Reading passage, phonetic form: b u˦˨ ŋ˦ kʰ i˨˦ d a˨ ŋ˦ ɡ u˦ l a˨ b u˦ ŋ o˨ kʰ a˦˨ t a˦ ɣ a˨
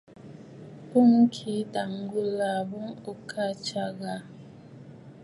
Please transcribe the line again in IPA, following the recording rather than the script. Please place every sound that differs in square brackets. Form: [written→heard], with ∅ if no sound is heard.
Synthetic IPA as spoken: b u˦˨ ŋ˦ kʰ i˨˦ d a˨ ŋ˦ ɡ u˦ l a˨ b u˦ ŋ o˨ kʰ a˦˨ [t→t͡ʃ] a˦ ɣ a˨